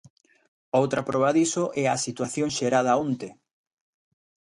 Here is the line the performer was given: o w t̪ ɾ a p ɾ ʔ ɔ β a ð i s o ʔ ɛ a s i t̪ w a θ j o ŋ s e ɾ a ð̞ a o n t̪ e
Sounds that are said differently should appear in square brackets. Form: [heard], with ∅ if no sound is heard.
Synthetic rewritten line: o w t̪ ɾ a p ɾ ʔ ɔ β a ð i s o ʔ ɛ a s i t̪ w a θ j o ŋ [ʃ] e ɾ a ð̞ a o n t̪ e